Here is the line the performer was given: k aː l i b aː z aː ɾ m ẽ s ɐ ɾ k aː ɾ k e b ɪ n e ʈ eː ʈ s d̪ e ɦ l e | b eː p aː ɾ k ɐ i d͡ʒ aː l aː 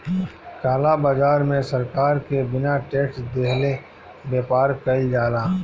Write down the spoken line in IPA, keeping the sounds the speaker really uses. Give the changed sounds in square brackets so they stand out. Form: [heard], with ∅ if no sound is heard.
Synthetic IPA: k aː l [a] b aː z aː ɾ m ẽ s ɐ ɾ k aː ɾ k e b ɪ n [a] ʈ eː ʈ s d̪ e ɦ l e | b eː p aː ɾ k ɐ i d͡ʒ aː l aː